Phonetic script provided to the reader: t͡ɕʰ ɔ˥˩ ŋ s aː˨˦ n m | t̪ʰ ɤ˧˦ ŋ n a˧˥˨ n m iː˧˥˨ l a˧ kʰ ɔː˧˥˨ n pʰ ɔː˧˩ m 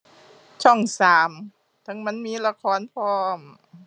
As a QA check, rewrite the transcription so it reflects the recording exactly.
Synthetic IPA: t͡ɕʰ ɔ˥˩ ŋ s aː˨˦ m | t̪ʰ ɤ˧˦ ŋ m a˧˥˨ n m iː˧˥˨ l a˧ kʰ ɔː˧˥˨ n pʰ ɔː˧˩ m